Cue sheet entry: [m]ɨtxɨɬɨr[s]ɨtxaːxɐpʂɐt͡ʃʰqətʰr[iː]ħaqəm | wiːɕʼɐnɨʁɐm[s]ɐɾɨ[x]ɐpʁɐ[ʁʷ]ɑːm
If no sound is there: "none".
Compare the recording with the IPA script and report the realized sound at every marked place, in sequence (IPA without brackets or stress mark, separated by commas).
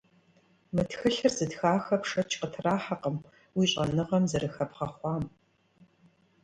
m, z, aː, z, x, χʷ